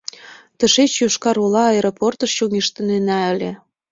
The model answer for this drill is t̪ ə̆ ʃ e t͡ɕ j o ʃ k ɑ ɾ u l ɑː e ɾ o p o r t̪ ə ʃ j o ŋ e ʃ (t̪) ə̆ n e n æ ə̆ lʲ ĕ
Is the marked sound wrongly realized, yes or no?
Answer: no